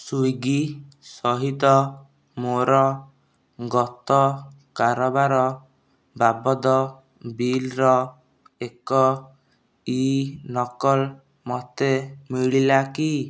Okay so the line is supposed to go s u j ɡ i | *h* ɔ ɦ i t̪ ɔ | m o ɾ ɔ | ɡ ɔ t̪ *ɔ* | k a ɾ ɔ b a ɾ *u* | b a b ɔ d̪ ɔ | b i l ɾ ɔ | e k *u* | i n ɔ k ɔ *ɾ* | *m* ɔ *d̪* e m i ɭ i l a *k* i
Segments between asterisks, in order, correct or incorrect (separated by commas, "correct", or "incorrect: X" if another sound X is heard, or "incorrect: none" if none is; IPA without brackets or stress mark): incorrect: s, correct, incorrect: ɔ, incorrect: ɔ, incorrect: l, correct, incorrect: t̪, correct